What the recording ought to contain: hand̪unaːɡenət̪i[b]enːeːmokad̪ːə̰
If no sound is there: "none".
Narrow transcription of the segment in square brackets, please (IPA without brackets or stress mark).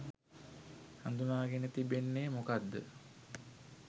b